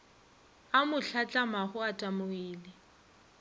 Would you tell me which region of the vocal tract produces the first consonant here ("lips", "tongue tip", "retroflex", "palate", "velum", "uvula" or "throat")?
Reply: lips